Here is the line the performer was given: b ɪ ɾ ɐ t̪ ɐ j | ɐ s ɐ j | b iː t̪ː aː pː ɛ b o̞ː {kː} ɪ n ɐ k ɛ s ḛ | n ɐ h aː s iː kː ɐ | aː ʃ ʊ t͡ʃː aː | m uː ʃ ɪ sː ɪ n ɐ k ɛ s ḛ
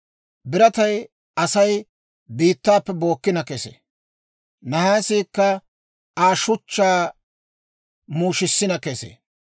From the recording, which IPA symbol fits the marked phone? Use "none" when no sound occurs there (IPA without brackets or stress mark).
kː